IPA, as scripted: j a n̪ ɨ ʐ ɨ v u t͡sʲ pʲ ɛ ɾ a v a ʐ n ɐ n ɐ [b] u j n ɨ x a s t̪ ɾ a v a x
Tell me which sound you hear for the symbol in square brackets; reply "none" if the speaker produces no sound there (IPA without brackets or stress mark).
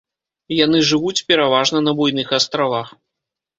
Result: b